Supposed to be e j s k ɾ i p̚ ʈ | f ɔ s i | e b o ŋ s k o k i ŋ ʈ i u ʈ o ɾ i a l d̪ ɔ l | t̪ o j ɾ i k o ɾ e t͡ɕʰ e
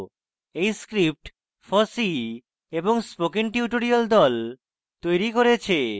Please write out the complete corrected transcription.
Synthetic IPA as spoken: e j s k ɾ i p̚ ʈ | f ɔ s i | e b o ŋ s p o k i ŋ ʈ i u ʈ o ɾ i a l d̪ ɔ l | t̪ o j ɾ i k o ɾ e t͡ɕʰ e